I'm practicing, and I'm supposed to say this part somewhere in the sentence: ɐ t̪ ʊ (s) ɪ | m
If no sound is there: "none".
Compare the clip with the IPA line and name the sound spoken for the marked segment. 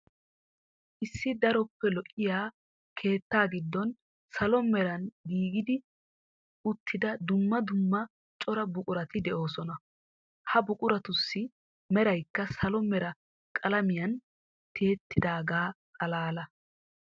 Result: sː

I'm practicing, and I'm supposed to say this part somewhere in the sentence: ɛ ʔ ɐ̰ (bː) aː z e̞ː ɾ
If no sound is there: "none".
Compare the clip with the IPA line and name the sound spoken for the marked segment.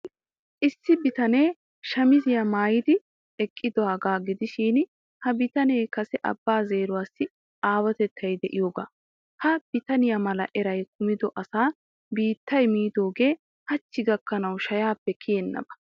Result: bː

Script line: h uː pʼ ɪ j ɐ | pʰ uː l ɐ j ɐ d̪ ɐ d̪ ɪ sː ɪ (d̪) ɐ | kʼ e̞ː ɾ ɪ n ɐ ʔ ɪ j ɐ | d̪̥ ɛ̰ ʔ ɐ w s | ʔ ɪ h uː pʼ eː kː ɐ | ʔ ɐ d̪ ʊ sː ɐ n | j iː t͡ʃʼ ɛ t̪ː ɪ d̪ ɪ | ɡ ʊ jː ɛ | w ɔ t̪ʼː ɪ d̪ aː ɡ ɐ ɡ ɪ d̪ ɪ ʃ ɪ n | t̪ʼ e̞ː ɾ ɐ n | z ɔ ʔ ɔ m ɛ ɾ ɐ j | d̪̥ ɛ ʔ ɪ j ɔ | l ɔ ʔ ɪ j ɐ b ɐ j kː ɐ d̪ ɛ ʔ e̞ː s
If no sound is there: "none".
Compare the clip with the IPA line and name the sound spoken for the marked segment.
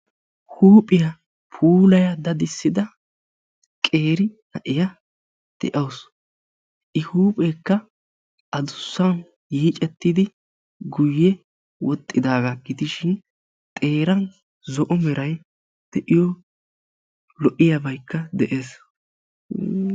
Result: d̪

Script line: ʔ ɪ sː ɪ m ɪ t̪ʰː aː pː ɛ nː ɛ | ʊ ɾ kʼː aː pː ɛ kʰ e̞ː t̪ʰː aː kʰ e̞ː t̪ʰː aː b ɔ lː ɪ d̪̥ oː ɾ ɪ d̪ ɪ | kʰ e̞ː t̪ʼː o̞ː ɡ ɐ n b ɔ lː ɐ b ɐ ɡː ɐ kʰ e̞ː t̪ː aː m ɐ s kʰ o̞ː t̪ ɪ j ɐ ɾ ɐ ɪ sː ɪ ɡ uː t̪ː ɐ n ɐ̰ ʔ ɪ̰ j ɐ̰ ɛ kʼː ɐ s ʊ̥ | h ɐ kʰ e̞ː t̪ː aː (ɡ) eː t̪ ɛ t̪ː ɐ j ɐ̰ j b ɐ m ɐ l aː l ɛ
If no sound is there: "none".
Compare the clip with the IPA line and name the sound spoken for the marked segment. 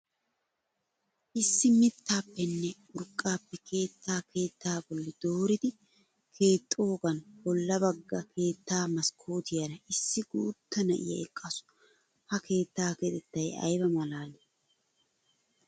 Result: k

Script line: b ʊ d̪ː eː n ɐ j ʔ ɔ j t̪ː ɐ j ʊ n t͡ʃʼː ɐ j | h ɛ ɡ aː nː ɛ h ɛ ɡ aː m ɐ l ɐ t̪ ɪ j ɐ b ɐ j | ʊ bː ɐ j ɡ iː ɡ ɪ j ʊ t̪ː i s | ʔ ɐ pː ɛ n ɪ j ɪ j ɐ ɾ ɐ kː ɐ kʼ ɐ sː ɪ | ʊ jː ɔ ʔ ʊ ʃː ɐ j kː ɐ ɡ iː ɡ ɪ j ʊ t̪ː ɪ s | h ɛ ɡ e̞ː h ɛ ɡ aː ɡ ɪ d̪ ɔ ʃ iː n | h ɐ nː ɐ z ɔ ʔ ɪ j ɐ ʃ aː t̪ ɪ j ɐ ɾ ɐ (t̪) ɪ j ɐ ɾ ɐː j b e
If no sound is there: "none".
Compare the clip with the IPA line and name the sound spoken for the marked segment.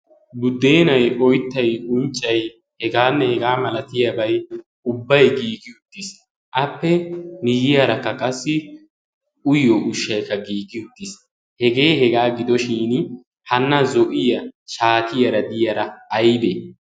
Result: d̪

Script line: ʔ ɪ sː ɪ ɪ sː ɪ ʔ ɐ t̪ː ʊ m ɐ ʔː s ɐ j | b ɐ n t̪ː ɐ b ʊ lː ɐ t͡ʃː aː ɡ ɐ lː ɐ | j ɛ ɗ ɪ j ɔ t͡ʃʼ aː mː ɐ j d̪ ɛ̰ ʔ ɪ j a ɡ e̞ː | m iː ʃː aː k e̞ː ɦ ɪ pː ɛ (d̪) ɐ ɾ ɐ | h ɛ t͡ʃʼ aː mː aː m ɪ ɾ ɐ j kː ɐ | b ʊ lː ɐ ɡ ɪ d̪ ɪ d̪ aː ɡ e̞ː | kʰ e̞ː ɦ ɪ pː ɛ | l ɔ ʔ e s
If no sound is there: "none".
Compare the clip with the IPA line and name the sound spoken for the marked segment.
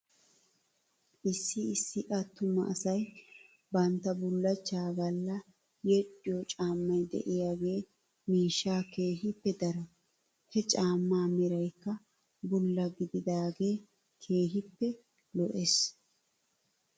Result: d̪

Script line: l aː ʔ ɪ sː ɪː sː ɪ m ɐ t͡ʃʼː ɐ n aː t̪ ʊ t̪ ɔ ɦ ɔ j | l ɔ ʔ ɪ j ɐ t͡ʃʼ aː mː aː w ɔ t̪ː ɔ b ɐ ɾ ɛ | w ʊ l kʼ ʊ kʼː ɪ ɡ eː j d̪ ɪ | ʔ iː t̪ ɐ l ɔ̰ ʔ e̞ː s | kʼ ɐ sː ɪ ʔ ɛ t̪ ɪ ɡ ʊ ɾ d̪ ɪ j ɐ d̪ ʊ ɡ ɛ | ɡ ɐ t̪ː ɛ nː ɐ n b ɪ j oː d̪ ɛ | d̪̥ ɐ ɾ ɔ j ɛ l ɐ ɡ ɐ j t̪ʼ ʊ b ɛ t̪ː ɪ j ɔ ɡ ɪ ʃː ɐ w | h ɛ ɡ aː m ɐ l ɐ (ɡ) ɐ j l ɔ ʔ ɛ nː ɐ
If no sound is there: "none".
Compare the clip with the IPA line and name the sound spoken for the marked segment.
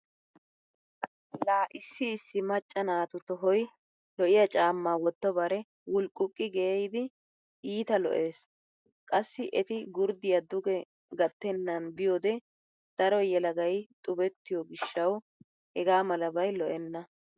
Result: b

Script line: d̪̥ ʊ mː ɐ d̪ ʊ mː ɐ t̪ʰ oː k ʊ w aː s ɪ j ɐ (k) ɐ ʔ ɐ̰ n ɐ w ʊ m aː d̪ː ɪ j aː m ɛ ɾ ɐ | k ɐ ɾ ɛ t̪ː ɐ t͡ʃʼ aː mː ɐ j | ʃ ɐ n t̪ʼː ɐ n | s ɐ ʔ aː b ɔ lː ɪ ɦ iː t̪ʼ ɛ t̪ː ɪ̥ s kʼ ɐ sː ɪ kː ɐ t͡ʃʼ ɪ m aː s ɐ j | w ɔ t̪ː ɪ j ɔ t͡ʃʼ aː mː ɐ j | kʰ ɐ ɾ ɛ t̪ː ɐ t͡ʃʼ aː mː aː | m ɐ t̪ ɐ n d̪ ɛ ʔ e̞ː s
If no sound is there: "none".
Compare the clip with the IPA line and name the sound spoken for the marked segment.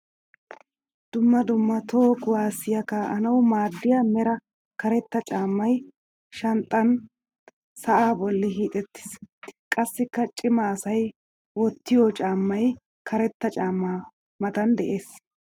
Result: k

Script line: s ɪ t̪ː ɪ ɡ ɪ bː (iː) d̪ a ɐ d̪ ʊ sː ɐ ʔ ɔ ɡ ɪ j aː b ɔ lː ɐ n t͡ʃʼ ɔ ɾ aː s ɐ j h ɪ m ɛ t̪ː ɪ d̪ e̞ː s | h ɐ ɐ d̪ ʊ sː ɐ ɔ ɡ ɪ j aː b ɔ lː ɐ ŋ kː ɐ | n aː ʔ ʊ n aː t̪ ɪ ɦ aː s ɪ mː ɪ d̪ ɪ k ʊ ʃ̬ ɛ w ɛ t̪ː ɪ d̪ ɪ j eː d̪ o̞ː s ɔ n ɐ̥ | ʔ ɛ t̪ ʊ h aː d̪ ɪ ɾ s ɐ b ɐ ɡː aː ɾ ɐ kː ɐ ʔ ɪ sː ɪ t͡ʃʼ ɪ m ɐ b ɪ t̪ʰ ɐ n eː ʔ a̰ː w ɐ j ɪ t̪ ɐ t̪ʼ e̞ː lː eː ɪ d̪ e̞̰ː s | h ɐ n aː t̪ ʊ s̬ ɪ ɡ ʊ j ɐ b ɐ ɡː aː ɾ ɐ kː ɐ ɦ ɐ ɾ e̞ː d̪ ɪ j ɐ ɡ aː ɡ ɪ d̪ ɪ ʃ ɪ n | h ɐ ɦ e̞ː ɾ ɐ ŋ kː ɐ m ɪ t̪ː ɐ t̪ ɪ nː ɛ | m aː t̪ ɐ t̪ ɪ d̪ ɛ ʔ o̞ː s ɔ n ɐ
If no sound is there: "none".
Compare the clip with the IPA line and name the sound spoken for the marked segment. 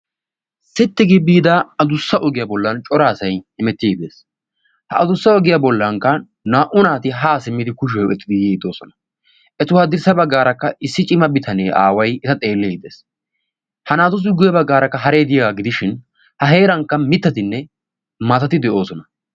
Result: iː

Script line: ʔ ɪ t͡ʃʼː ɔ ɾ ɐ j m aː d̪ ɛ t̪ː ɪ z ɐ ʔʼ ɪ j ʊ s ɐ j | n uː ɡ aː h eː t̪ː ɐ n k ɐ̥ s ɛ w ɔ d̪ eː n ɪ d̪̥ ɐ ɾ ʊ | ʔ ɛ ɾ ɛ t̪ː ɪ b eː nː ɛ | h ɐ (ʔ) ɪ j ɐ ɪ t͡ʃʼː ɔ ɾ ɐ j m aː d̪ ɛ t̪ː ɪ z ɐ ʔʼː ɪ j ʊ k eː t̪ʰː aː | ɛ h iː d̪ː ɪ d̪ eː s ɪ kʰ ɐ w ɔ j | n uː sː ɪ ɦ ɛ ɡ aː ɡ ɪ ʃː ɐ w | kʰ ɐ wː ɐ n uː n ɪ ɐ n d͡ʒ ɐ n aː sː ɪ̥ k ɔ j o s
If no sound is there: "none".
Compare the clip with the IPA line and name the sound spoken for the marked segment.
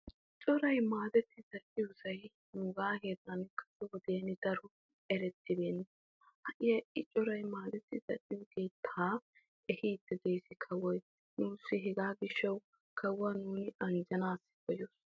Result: ʔ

